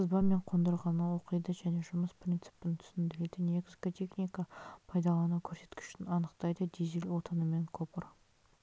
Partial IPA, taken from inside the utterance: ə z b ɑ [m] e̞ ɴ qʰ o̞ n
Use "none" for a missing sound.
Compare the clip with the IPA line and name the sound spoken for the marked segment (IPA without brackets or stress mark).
m